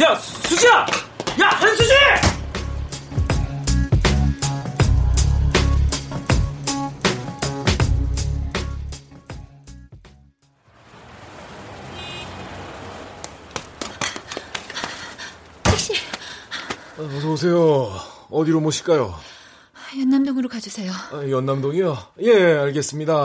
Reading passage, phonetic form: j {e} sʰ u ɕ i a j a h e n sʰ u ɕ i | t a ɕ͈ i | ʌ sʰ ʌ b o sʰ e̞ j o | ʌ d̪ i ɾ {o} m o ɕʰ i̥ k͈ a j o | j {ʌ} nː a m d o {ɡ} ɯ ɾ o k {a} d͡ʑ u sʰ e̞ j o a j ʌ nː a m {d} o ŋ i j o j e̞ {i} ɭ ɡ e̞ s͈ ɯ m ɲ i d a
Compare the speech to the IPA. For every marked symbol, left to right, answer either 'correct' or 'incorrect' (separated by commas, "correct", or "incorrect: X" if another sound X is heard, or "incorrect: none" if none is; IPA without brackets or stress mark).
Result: incorrect: a, correct, correct, incorrect: ŋ, correct, correct, incorrect: a